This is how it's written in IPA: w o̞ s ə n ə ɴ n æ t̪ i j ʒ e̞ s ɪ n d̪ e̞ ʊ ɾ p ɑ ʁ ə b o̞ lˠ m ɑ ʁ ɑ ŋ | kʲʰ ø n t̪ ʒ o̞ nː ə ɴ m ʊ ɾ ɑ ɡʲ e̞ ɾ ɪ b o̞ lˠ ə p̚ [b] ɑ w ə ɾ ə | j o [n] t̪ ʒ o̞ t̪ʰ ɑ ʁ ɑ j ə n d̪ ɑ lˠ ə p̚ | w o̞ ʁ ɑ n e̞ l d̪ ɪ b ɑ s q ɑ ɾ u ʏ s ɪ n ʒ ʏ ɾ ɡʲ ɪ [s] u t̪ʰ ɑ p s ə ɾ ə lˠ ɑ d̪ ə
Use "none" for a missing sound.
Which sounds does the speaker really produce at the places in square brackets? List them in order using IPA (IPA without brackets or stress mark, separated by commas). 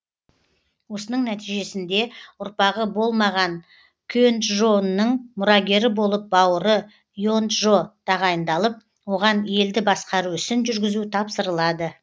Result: b, n, z